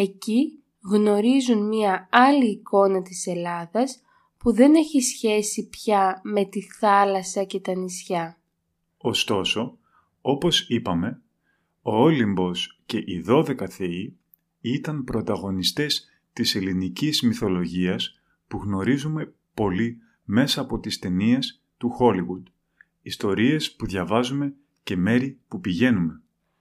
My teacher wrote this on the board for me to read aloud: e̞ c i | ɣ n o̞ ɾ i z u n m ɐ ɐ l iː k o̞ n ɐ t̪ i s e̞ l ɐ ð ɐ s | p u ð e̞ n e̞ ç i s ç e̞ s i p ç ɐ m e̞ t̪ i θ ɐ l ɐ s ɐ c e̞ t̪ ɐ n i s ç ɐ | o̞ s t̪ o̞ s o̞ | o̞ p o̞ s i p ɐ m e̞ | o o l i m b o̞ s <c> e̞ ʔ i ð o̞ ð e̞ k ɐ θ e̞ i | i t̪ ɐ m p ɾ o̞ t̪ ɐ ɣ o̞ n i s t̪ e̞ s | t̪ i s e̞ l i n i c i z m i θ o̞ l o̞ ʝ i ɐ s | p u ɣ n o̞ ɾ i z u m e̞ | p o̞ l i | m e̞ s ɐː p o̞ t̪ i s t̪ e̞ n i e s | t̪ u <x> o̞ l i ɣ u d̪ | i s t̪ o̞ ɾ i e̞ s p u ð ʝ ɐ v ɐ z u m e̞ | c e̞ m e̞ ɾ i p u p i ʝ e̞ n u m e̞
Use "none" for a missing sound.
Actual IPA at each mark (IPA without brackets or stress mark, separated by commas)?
c, x